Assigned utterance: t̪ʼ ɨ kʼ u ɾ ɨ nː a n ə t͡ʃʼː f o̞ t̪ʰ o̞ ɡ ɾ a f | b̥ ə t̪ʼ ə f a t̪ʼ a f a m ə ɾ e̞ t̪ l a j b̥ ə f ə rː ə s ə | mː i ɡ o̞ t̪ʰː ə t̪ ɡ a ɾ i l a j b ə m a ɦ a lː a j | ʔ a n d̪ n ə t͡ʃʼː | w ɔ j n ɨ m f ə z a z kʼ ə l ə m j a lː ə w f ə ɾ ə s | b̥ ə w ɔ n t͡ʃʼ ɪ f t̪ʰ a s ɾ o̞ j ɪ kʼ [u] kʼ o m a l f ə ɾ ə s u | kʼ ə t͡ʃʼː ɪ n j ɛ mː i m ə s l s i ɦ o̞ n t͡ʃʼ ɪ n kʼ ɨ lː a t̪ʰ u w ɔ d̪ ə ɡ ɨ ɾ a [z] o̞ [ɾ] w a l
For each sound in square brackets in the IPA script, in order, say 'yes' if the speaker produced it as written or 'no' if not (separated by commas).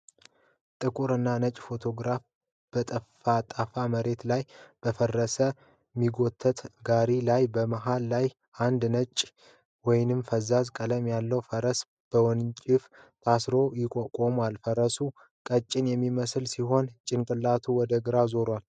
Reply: no, yes, yes